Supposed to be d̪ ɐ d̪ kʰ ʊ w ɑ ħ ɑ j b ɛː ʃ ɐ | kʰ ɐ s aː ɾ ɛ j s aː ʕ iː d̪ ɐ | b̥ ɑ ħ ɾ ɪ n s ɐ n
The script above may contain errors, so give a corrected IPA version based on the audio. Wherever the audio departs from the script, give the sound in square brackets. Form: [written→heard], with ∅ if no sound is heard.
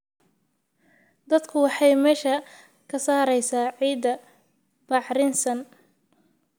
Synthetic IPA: d̪ ɐ d̪ kʰ ʊ w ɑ ħ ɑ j [b→m] ɛː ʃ ɐ | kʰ ɐ s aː ɾ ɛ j s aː ʕ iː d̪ ɐ | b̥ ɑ ħ ɾ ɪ n s ɐ n